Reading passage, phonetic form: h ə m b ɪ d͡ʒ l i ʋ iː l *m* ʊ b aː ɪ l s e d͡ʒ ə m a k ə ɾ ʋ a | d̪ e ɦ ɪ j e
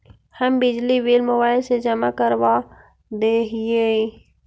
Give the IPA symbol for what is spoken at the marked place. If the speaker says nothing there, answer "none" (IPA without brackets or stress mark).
m